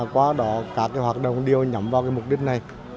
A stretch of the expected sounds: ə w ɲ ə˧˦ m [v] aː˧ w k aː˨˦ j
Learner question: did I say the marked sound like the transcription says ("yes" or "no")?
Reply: yes